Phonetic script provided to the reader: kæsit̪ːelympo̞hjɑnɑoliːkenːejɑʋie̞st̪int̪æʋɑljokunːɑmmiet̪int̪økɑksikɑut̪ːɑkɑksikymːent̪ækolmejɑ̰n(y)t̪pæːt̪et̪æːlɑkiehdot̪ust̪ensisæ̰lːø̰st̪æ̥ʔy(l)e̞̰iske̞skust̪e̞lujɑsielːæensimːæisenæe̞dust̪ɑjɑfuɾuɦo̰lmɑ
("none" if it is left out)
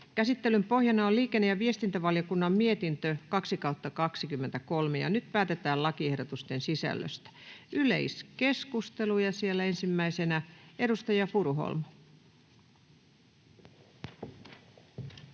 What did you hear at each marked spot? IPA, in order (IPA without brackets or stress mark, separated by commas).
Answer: y, l